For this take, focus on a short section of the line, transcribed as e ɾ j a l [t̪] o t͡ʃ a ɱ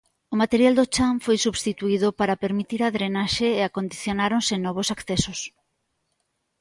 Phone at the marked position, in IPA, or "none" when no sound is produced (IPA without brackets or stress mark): d̪